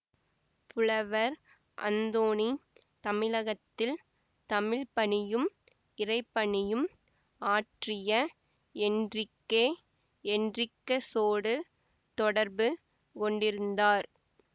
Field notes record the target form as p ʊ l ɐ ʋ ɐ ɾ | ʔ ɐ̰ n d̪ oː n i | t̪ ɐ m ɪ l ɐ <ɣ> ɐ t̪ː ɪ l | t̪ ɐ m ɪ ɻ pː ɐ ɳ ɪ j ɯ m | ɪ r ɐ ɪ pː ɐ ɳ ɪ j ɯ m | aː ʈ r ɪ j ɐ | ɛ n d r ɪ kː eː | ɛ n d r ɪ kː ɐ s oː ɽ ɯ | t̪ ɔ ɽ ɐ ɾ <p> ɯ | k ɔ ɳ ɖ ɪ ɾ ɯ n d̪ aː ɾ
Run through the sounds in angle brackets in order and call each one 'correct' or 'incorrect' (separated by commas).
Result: correct, incorrect